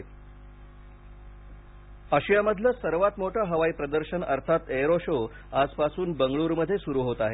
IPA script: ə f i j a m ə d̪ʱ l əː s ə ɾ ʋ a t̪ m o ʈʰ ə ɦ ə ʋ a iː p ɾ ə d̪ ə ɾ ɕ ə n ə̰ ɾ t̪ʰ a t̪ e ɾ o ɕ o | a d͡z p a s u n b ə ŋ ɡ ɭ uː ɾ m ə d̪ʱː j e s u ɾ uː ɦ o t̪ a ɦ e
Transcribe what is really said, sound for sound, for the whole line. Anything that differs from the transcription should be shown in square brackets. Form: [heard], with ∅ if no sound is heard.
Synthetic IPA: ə [ɕ] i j a m ə d̪ʱ l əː s ə ɾ ʋ a t̪ m o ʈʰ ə ɦ ə ʋ a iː p ɾ ə d̪ ə ɾ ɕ ə n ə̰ ɾ t̪ʰ a t̪ e ɾ o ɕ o | a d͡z p a s [uː] n b ə ŋ ɡ ɭ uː ɾ m ə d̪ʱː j e s u ɾ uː ɦ o t̪ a ɦ e